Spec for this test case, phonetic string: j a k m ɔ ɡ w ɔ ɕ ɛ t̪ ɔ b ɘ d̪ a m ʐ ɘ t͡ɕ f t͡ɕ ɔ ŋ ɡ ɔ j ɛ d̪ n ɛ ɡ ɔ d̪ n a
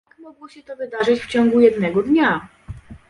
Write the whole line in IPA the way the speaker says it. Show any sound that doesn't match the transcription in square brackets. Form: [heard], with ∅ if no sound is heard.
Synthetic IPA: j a k m ɔ ɡ w ɔ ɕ ɛ t̪ ɔ [v] ɘ d̪ a [∅] ʐ ɘ t͡ɕ f t͡ɕ ɔ ŋ ɡ [u] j ɛ d̪ n ɛ ɡ ɔ d̪ [ɲ] a